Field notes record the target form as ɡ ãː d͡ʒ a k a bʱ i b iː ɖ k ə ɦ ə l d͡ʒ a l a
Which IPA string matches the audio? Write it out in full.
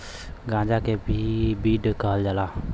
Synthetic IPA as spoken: ɡ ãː d͡ʒ a k e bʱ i b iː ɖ k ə ɦ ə l d͡ʒ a l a